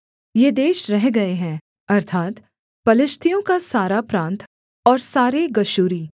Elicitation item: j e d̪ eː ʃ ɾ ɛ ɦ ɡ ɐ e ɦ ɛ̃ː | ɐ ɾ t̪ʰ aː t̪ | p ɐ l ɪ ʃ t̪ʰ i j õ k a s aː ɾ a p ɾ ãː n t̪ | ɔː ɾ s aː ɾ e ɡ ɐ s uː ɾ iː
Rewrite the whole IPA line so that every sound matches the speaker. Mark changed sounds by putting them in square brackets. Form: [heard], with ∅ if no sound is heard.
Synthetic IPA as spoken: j e d̪ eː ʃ ɾ ɛ ɦ ɡ ɐ e ɦ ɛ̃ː | ɐ ɾ t̪ʰ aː t̪ | p ɐ l ɪ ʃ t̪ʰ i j õ k a s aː ɾ a p ɾ ãː n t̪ | ɔː ɾ s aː ɾ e ɡ ɐ [ʃ] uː ɾ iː